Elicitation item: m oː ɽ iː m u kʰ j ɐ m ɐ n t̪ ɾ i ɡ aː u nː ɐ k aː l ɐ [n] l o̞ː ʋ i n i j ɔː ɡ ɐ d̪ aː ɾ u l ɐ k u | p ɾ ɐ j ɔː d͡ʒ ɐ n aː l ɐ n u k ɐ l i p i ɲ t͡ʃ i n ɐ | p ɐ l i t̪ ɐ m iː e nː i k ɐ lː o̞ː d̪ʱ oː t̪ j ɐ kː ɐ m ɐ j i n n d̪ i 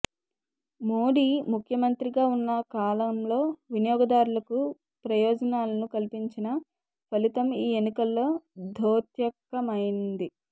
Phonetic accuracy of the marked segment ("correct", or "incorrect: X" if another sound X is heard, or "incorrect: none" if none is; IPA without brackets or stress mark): incorrect: m